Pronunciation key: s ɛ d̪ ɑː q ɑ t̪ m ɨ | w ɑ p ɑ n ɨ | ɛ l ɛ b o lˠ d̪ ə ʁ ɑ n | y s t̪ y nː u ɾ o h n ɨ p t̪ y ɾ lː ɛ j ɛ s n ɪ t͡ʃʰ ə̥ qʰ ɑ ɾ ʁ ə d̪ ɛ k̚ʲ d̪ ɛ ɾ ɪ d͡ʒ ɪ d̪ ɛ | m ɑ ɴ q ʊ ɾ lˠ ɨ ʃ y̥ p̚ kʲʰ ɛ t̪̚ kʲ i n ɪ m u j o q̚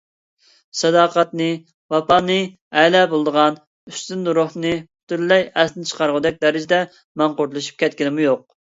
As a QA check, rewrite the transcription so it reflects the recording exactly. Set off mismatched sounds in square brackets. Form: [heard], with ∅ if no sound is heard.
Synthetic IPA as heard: s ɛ d̪ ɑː q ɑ t̪ [n] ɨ | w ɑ p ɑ n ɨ | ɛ l ɛ b o lˠ d̪ ə ʁ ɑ n | y s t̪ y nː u ɾ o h n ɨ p t̪ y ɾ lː ɛ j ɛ s n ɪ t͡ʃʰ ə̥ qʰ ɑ ɾ ʁ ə d̪ ɛ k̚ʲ d̪ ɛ ɾ ɪ d͡ʒ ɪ d̪ ɛ | m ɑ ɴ q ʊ ɾ lˠ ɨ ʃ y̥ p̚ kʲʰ ɛ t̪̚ kʲ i n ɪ m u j o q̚